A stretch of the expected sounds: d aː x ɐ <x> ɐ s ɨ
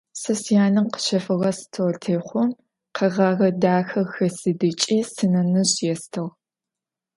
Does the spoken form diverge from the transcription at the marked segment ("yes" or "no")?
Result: no